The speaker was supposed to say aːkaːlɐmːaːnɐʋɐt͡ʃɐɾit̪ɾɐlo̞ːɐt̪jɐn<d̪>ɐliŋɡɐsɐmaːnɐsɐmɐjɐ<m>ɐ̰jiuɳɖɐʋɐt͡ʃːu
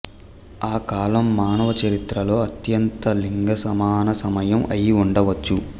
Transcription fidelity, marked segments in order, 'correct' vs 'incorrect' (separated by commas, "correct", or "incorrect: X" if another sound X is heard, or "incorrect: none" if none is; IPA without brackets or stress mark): incorrect: t̪, correct